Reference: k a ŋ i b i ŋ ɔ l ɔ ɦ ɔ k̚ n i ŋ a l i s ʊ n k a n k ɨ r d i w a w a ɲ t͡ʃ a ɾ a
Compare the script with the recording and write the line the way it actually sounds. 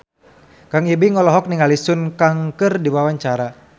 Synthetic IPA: k a ŋ i b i ŋ ɔ l ɔ ɦ ɔ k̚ n i ŋ a l i s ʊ n k a ŋ k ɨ r d i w a w a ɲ t͡ʃ a ɾ a

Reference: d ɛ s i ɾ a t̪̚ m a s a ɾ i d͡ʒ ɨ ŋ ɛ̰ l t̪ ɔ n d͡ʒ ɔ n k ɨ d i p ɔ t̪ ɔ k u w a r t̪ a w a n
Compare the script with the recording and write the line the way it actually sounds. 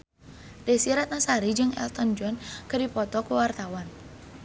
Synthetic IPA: d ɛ s i ɾ a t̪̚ n a s a ɾ i d͡ʒ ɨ ŋ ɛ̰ l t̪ ɔ n d͡ʒ ɔ n k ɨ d i p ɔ t̪ ɔ k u w a r t̪ a w a n

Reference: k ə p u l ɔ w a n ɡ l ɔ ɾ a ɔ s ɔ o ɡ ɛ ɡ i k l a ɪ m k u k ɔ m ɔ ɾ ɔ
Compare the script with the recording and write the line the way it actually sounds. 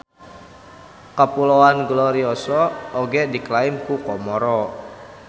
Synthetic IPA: k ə p u l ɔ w a n ɡ l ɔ ɾ i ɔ s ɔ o ɡ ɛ d i k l a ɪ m k u k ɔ m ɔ ɾ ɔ

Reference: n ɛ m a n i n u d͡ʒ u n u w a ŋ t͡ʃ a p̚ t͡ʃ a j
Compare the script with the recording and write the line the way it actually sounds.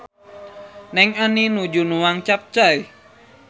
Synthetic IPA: n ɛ ŋ a n i n u d͡ʒ u n u w a ŋ t͡ʃ a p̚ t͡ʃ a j

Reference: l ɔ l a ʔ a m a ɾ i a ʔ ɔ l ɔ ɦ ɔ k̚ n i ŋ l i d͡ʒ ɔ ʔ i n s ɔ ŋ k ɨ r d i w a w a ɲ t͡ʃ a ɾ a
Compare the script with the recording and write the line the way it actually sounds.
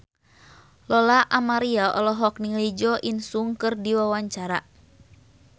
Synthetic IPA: l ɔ l a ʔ a m a ɾ i a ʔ ɔ l ɔ ɦ ɔ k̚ n i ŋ l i d͡ʒ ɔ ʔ i n s u ŋ k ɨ r d i w a w a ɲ t͡ʃ a ɾ a

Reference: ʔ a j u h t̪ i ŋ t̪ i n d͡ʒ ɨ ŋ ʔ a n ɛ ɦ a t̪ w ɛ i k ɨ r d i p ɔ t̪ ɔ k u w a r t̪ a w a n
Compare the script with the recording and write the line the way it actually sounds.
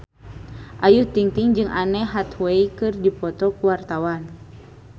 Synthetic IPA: ʔ a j u h t̪ i ŋ t̪ i ŋ d͡ʒ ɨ ŋ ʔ a n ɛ ɦ a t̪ w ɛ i k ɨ r d i p ɔ t̪ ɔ k u w a r t̪ a w a n

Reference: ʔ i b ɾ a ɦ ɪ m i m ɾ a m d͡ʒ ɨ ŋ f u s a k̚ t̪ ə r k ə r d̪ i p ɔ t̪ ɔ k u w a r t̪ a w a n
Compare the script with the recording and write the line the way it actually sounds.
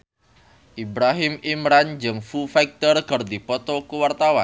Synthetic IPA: ʔ i b ɾ a ɦ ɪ m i m ɾ a n d͡ʒ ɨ ŋ f u f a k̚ t̪ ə r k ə r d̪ i p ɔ t̪ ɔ k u w a r t̪ a w a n

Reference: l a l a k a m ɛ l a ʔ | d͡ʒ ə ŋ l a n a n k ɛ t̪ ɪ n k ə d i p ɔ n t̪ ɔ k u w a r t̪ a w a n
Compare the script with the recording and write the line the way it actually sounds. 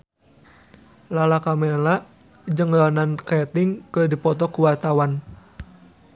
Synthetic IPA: l a l a k a m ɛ l a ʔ | d͡ʒ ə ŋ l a n a n k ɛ t̪ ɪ ŋ k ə d i p ɔ t̪ ɔ k u w a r t̪ a w a n

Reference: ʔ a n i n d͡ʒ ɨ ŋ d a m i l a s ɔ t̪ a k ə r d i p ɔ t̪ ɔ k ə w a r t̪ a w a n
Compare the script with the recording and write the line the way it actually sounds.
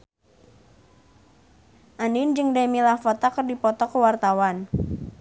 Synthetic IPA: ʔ a n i n d͡ʒ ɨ ŋ d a m i l a f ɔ t̪ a k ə r d i p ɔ t̪ ɔ k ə w a r t̪ a w a n

